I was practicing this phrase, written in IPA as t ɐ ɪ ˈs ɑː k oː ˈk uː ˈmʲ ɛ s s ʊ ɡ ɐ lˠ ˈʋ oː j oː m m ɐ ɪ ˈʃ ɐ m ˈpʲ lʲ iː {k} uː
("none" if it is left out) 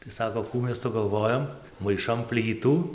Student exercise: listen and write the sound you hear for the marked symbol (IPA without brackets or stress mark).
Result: t